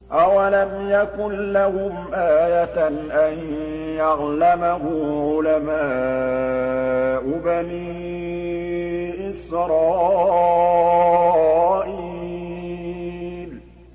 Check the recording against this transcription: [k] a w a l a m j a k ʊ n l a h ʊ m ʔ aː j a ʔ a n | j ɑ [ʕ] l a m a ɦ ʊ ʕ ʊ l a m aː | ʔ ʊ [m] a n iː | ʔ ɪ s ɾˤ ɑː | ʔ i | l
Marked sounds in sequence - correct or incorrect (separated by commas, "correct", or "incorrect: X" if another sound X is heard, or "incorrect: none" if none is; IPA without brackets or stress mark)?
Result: incorrect: ʔ, incorrect: ɣ, incorrect: b